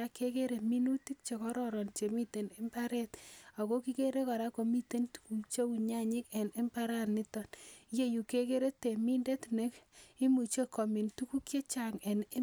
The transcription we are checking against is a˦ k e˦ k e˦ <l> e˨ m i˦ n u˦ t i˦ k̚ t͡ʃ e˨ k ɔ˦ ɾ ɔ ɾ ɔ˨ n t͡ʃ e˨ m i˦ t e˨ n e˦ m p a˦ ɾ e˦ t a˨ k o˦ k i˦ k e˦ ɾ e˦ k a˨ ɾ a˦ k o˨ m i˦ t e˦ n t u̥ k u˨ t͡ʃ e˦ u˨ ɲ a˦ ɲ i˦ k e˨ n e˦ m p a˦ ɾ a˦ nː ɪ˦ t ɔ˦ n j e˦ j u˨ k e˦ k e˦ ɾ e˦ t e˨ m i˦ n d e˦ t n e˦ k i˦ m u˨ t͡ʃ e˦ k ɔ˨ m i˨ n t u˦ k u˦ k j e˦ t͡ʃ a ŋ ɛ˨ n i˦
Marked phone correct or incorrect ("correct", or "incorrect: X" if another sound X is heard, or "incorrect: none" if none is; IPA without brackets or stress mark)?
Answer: incorrect: ɾ